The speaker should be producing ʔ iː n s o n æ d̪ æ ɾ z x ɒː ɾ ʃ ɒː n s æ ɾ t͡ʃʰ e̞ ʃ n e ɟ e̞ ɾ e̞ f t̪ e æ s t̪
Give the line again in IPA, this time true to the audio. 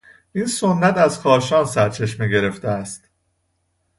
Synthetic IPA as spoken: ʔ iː n s o nː æ t̪ æ z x ɒː ɾ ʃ ɒː n s æ ɾ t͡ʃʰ e̞ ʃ m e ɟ e̞ ɾ e̞ f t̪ e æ s t̪